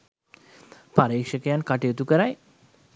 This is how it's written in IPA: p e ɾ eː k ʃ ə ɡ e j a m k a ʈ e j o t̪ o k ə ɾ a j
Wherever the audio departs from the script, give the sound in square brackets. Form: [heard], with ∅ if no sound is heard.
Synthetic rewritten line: p [a] ɾ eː k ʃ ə [k] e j a [n] k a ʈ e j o t̪ [u] k ə ɾ a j